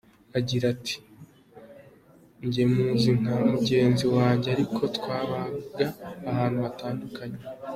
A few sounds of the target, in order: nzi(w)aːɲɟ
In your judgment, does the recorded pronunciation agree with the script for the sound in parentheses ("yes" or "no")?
yes